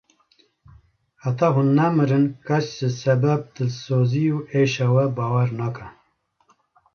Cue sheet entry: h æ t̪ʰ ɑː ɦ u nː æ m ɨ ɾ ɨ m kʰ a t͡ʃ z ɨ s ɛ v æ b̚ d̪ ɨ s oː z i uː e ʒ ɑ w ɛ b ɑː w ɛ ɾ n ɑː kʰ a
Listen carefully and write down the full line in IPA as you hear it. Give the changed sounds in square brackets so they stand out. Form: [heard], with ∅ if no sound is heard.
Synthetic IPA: h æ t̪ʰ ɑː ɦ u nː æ m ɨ ɾ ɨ [n] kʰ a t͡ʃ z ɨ s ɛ [b] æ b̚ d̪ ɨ s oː z i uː e [ʃ] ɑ w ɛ b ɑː w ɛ ɾ n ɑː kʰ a